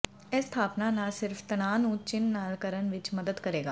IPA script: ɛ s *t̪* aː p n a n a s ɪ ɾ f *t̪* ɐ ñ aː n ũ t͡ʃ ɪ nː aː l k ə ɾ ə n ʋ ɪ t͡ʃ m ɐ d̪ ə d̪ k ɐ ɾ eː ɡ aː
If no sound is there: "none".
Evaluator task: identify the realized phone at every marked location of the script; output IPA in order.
t̪ʰ, t̪

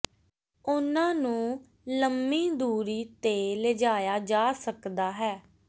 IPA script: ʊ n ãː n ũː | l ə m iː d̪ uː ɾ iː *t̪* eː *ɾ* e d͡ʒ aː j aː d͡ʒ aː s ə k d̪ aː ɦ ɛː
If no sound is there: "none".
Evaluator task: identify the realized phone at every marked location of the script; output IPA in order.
t̪, l

